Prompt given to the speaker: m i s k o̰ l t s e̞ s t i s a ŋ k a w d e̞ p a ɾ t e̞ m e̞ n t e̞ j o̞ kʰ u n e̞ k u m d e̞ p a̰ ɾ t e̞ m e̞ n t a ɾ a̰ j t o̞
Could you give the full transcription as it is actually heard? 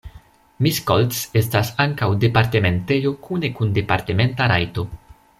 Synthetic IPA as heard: m i s k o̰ l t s e̞ s t a s a ŋ k a w d e̞ p a ɾ t e̞ m e̞ n t e̞ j o̞ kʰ u n e̞ k u n d e̞ p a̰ ɾ t e̞ m e̞ n t a ɾ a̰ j t o̞